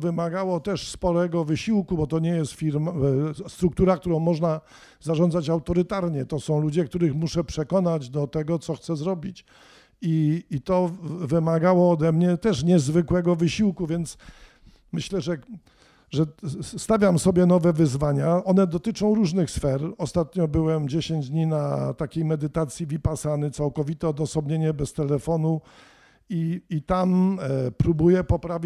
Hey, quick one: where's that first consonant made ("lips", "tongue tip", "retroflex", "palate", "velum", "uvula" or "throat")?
lips